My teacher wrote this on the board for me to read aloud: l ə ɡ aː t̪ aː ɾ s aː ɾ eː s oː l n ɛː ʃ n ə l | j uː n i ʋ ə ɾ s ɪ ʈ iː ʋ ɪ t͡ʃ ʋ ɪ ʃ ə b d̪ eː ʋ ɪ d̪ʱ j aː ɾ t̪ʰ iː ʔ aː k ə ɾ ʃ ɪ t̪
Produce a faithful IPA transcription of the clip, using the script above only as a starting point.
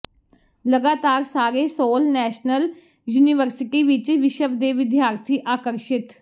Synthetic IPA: l ə ɡ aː t̪ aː ɾ s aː ɾ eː s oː l n ɛː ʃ n ə l | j uː n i ʋ ə ɾ s ɪ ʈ iː ʋ ɪ t͡ʃ ʋ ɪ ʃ ə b d̪ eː ʋ ɪ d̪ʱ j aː ɾ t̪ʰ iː ʔ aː k ə ɾ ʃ ɪ t̪